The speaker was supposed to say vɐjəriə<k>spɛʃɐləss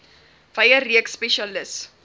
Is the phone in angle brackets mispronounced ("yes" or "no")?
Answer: no